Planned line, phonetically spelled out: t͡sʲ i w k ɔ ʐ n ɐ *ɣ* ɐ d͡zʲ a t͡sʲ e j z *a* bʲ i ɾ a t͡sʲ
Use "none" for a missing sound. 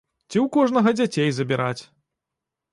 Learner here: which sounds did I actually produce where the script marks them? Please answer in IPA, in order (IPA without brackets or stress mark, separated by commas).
ɣ, ɐ